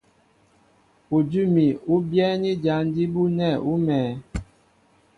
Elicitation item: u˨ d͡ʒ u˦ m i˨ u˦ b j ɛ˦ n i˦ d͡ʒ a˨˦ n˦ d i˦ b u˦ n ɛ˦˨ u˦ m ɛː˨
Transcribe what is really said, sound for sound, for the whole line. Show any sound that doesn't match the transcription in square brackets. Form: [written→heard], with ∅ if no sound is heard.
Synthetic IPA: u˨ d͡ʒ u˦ m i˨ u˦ b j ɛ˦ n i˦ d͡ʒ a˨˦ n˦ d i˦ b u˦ n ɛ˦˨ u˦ m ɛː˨